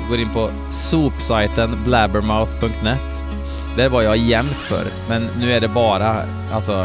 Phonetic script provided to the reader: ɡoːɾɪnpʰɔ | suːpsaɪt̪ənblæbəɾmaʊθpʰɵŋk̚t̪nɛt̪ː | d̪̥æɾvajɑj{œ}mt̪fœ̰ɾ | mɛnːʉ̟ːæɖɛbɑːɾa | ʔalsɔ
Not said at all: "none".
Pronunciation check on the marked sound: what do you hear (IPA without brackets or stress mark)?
ɛ